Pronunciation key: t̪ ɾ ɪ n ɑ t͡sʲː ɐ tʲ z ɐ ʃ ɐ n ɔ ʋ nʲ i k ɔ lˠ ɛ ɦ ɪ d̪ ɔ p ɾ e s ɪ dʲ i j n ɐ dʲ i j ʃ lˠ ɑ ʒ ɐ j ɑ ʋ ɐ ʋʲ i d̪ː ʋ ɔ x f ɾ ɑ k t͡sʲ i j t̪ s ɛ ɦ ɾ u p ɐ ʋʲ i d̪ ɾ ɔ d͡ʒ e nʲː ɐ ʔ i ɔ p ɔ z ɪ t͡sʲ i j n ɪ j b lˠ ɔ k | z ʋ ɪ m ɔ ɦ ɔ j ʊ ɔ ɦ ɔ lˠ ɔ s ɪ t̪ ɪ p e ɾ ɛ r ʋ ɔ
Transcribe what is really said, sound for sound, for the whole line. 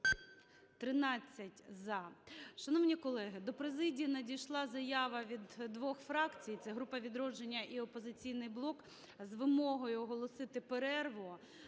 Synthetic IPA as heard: t̪ ɾ ɪ n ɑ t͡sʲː ɐ tʲ z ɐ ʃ ɐ n ɔ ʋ nʲ i k ɔ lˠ ɛ ɦ ɪ d̪ ɔ p ɾ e z ɪ dʲ i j n ɐ dʲ i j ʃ lˠ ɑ z ɐ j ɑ ʋ ɐ ʋʲ i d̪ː ʋ ɔ x f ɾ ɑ k t͡sʲ i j t̪ s ɛ ɦ ɾ u p ɐ ʋʲ i d̪ ɾ ɔ d͡ʒ e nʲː ɐ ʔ i ɔ p ɔ z ɪ t͡sʲ i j n ɪ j b lˠ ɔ k | z ʋ ɪ m ɔ ɦ ɔ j ʊ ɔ ɦ ɔ lˠ ɔ s ɪ t̪ ɪ p e ɾ ɛ r ʋ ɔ